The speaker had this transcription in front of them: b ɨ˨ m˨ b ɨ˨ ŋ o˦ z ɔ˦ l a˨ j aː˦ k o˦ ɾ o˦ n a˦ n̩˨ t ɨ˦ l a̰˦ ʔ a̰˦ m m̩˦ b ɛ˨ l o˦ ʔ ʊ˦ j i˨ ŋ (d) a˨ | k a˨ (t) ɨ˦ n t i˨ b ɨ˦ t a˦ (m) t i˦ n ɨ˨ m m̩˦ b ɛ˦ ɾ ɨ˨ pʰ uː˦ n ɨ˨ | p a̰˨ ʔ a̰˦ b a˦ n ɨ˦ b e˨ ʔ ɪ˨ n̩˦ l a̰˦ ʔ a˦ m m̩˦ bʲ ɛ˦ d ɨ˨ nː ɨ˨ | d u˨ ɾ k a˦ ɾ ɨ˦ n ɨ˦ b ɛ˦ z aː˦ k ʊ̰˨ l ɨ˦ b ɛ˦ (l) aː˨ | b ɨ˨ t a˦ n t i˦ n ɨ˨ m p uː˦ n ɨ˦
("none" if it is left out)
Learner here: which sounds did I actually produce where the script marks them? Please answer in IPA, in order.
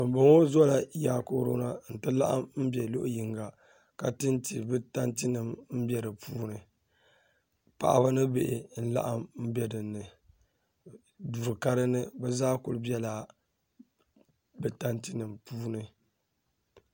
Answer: ɡ, t, n, l

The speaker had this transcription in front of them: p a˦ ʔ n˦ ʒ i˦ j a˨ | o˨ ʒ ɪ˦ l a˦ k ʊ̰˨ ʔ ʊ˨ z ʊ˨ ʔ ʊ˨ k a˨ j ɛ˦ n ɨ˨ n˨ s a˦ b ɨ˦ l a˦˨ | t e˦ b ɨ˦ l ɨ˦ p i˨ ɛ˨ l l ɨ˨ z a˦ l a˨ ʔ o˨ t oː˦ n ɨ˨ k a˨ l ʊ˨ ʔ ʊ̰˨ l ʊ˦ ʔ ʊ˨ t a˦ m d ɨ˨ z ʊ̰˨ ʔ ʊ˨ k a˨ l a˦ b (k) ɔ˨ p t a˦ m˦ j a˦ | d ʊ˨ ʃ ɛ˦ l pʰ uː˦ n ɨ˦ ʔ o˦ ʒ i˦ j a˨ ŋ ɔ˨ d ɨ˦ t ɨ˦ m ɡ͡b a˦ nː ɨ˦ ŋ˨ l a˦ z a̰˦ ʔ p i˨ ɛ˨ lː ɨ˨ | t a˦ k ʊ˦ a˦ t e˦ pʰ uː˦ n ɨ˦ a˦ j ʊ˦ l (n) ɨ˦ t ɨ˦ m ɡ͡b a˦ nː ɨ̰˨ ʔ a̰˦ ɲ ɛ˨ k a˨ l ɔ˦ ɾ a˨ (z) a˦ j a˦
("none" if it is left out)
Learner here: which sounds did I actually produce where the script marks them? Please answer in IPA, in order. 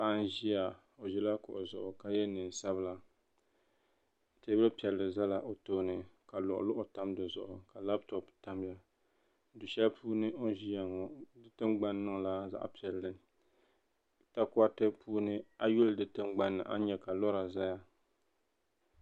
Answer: t, d, z

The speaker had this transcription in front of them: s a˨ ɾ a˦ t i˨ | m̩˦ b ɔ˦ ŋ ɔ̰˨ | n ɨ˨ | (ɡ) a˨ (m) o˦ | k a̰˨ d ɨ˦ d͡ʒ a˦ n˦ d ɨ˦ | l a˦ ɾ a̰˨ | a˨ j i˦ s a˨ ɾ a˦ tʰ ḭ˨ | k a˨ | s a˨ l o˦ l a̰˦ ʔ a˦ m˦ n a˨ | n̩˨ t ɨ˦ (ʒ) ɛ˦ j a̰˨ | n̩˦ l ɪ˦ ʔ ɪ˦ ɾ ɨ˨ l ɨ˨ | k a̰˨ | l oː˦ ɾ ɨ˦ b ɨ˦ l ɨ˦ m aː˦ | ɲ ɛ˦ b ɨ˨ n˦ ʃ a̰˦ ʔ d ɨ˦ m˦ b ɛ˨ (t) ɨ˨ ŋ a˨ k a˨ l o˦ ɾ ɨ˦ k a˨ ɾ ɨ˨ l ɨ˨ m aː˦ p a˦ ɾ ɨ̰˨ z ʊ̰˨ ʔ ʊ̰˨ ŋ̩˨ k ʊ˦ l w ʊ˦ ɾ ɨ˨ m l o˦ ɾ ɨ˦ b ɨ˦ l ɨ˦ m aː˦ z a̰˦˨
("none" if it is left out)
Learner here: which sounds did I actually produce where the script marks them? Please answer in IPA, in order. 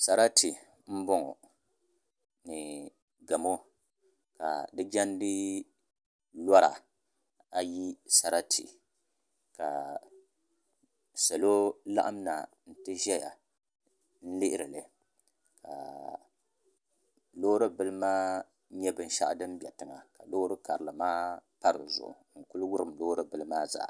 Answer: ɡ, m, ʒ, t

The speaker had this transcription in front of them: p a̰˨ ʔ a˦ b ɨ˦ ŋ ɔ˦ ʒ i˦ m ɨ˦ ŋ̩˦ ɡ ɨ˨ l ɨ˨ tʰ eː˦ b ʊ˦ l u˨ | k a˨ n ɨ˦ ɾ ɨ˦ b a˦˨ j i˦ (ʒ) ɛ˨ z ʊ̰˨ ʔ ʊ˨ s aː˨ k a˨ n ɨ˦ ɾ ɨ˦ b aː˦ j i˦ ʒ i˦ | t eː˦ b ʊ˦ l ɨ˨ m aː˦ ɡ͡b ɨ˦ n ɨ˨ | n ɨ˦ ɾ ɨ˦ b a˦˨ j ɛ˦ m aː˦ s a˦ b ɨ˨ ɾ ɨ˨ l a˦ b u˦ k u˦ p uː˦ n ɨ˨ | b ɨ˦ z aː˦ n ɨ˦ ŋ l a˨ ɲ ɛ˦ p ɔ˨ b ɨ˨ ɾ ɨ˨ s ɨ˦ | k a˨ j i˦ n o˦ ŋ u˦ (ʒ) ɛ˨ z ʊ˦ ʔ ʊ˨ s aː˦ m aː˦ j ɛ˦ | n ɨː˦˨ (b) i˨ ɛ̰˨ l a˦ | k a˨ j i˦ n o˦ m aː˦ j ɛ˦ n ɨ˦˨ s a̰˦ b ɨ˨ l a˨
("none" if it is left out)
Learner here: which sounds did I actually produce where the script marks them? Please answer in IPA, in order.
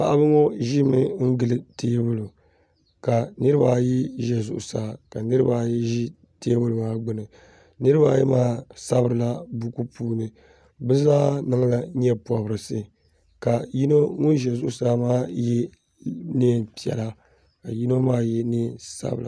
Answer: ʒ, ʒ, p

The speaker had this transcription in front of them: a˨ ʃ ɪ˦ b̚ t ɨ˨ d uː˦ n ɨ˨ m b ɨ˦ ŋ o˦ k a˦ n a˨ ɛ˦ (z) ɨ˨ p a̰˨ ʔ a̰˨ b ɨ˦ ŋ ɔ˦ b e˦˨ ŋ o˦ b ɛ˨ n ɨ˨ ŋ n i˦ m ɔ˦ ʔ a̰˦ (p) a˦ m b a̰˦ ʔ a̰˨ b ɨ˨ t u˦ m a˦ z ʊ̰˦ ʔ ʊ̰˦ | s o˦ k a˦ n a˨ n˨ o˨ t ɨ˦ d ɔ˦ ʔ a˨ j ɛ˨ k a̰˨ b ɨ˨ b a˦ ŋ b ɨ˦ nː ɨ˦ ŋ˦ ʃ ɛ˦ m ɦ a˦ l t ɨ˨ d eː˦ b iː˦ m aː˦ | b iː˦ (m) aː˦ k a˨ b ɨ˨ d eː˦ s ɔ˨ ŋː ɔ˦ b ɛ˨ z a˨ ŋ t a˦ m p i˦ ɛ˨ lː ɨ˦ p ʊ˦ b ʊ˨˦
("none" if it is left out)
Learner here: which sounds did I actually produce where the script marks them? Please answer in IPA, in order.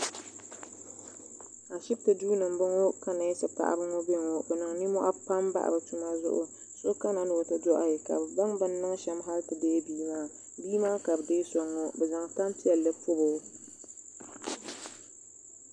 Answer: s, p, m

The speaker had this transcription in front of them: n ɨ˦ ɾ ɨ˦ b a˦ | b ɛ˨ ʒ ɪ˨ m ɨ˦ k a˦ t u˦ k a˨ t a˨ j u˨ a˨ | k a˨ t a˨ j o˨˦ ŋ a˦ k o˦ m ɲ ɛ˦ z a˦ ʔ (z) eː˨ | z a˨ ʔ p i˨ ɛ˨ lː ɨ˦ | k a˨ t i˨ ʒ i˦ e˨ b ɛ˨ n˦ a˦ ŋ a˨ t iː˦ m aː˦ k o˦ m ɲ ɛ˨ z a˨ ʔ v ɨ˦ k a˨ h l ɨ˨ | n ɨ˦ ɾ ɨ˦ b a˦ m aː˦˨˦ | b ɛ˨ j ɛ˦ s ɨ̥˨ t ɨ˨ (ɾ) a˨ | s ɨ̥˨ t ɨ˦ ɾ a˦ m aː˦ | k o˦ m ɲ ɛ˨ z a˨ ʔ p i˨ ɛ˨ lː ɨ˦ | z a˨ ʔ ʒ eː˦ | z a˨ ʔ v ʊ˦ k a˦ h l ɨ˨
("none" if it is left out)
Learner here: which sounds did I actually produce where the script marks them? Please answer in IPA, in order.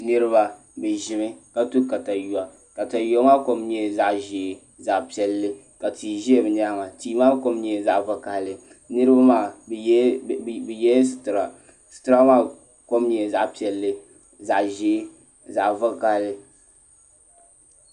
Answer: ʒ, ɾ

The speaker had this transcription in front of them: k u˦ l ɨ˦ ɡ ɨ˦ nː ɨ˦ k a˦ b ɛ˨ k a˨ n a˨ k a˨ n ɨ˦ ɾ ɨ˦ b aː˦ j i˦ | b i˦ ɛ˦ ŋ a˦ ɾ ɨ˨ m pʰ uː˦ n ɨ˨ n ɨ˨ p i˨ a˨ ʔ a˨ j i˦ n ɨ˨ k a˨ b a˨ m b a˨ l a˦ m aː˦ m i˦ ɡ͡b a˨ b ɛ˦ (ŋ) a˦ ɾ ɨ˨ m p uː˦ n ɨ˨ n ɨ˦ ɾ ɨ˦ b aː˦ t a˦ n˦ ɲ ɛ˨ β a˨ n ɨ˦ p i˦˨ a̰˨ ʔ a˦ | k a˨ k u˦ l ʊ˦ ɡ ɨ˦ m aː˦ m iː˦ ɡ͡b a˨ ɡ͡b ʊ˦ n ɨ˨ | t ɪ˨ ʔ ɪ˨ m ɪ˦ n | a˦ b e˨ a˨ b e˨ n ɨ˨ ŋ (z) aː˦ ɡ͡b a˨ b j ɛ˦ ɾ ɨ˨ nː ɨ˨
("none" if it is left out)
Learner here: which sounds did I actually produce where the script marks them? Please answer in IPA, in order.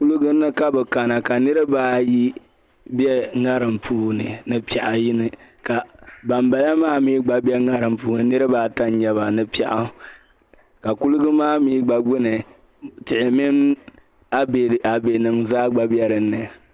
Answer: ŋ, z

